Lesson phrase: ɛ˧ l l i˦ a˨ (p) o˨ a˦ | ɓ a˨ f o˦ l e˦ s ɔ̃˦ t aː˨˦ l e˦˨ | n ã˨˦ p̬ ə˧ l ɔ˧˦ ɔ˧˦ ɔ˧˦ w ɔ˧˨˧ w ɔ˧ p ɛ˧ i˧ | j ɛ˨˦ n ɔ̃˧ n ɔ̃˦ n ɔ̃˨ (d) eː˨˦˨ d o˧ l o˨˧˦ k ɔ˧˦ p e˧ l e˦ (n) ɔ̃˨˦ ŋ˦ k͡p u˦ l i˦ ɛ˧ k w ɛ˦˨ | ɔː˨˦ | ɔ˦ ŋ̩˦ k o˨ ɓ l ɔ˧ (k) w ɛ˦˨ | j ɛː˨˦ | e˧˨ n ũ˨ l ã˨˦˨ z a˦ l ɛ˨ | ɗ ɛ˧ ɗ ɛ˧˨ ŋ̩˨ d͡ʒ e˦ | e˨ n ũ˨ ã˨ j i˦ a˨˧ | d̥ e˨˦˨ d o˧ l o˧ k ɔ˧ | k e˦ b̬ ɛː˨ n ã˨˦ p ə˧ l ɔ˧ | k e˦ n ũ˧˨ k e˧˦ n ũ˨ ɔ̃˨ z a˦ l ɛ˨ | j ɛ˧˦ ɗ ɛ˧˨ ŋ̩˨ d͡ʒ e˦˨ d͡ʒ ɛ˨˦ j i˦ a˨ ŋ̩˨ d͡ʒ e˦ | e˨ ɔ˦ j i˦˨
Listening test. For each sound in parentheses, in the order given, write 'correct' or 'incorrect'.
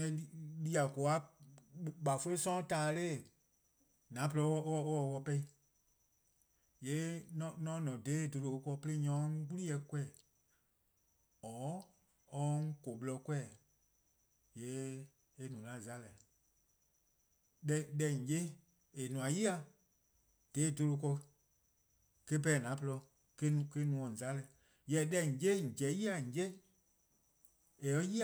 incorrect, correct, incorrect, correct

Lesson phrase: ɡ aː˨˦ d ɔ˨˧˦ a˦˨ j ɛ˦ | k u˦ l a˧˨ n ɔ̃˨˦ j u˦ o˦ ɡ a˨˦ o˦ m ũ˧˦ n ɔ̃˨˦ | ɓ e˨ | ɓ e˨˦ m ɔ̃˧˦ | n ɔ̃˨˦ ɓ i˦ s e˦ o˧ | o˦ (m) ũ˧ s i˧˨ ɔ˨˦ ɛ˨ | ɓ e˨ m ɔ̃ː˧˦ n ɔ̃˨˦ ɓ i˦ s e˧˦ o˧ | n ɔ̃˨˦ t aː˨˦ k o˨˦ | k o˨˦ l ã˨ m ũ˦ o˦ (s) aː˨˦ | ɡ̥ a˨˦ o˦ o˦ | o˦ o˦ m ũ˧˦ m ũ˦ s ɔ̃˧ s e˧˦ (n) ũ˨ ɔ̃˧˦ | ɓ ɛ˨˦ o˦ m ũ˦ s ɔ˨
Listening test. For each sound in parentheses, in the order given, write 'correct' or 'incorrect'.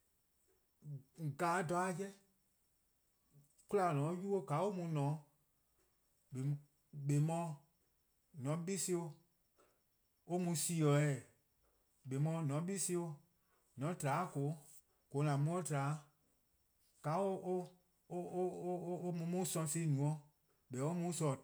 correct, incorrect, correct

